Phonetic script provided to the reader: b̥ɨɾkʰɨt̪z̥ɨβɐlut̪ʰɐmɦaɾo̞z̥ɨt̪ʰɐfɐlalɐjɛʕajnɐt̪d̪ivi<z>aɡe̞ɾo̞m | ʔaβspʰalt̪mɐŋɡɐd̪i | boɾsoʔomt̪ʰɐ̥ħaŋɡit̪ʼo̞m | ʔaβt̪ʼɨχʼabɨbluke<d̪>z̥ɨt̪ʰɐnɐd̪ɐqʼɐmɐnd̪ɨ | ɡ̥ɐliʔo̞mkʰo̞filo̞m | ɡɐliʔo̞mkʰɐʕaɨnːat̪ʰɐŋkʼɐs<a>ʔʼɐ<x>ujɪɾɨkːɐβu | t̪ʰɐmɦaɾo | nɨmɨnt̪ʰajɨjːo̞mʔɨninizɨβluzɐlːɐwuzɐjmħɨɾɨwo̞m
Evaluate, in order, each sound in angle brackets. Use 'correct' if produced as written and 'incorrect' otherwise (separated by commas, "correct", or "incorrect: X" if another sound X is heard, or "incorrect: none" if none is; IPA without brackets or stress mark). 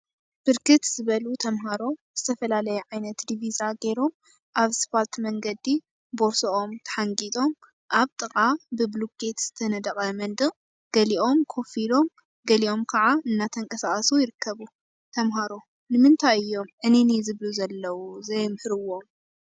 correct, incorrect: t̪, correct, incorrect: s